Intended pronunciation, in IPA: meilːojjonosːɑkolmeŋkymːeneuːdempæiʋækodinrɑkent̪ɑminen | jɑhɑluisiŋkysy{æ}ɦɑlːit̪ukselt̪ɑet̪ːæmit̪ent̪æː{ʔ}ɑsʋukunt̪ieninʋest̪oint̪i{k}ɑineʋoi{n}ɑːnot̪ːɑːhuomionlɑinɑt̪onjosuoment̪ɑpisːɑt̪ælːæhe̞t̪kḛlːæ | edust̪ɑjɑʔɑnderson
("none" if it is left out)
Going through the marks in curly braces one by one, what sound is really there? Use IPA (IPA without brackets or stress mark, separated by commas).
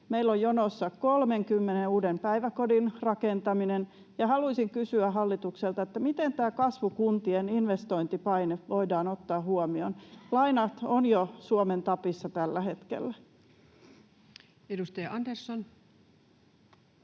æ, k, p, d